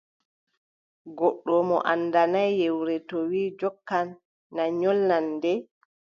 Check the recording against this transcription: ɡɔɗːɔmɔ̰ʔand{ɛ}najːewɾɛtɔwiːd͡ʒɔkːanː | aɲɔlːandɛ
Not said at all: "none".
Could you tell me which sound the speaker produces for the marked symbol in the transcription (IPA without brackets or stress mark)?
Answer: a